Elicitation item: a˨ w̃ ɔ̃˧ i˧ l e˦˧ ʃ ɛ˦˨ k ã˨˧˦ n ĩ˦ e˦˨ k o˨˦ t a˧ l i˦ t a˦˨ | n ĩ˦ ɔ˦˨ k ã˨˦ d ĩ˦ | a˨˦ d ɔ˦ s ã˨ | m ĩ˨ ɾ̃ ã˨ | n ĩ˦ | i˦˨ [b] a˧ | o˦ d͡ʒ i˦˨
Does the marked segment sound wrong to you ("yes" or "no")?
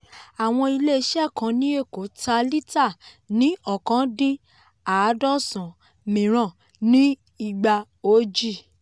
yes